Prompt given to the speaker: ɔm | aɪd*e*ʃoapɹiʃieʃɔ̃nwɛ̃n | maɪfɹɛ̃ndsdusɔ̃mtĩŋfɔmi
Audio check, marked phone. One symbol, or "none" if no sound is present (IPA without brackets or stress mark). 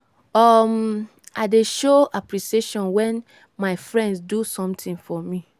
e